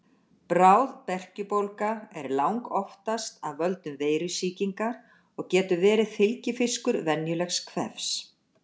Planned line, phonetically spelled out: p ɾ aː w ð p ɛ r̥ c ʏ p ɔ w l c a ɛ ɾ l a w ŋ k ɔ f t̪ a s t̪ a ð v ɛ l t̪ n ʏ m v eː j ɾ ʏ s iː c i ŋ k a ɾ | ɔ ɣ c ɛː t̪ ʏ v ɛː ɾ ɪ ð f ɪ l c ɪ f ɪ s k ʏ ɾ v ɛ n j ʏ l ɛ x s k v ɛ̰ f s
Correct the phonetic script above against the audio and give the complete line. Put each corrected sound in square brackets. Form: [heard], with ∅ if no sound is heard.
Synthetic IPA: p ɾ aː w ð p ɛ r̥ c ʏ p [o] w l [k] a ɛ ɾ l a w ŋ k ɔ f t̪ a s t̪ a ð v [œ] l t̪ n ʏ m v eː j ɾ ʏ s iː c i ŋ k a ɾ | ɔ ɣ c ɛː t̪ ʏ v ɛː ɾ ɪ ð f ɪ l c ɪ f ɪ s k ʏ ɾ v ɛ n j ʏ l ɛ x s [kʰ] v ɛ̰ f s